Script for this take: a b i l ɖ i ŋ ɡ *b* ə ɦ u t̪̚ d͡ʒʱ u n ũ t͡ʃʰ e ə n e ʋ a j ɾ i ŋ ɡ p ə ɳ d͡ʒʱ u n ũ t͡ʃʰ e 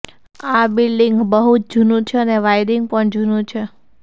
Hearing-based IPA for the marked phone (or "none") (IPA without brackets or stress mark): b